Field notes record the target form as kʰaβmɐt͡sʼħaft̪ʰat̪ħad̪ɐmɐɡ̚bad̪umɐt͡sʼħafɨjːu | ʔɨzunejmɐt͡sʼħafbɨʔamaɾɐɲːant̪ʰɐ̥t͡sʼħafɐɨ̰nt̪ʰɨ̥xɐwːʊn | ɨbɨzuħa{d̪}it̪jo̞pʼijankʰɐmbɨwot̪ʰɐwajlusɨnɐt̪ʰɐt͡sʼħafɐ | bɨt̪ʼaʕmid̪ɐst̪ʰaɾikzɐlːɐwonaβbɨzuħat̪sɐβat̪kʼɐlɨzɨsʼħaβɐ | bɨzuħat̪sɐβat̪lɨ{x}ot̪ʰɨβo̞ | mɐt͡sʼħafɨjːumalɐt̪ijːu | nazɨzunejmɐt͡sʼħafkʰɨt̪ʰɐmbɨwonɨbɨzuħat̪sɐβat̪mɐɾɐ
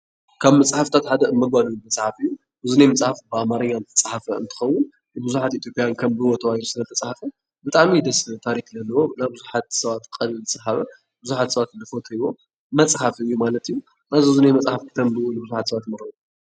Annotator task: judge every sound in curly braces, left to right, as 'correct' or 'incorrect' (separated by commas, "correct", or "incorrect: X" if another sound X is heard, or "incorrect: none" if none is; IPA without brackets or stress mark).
incorrect: t̪, incorrect: f